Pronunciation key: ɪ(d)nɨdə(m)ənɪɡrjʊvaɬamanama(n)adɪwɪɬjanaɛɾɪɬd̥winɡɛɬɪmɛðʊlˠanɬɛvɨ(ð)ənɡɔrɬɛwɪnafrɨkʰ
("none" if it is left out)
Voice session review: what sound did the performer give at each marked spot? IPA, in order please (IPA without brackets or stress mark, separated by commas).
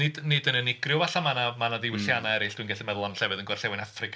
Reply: d, n, n, ð